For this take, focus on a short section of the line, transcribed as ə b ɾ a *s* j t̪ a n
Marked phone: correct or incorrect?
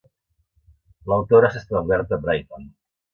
incorrect